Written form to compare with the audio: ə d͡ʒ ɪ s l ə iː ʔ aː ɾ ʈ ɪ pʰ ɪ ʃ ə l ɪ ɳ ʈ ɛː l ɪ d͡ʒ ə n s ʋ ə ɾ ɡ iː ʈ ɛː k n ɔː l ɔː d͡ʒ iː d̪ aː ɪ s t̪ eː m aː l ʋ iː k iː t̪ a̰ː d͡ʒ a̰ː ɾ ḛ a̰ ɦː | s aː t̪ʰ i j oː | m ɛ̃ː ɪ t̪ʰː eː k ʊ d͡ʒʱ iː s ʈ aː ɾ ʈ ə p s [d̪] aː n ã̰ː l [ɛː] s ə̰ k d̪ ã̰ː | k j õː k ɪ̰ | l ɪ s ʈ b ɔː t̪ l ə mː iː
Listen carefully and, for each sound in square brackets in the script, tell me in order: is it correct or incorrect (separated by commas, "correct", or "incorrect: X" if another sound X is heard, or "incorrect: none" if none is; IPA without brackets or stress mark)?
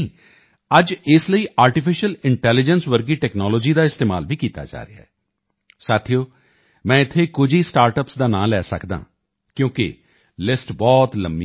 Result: correct, correct